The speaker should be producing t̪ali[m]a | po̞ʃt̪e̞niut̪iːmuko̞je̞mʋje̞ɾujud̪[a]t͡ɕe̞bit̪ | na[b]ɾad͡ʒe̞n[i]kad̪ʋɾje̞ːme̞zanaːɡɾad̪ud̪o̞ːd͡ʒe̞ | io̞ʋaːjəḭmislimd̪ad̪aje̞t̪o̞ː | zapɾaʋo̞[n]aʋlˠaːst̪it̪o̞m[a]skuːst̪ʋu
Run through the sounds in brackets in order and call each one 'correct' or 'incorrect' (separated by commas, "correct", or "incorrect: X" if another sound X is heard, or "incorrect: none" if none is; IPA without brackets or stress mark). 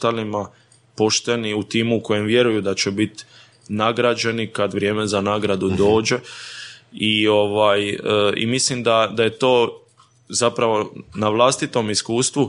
correct, correct, incorrect: ɡ, correct, correct, incorrect: i